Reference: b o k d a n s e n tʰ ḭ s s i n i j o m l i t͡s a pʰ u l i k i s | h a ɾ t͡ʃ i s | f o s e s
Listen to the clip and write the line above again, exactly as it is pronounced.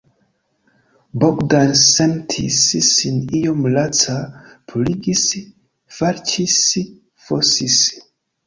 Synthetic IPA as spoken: b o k d a n s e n tʰ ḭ s s i n i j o m l a t͡s a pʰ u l i ɡ i s | f a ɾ t͡ʃ i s | f o s i s